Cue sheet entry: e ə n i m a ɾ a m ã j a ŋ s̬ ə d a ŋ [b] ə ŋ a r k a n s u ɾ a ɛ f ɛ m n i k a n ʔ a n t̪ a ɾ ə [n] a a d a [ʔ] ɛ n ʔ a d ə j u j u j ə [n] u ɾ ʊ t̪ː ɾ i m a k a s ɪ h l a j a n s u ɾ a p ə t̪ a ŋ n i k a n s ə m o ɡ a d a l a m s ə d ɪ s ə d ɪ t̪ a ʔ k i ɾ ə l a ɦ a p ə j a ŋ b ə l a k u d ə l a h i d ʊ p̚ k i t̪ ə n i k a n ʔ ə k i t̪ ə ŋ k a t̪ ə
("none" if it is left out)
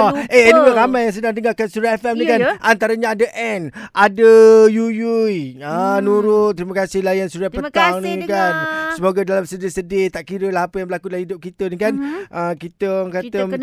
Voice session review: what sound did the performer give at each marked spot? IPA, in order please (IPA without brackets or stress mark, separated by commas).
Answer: d, ɲ, ʔ, n